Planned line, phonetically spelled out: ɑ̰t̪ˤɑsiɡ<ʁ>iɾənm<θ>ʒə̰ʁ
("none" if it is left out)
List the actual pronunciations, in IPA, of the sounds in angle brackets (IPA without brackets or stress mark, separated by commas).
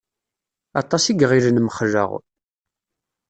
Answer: ʁ, χ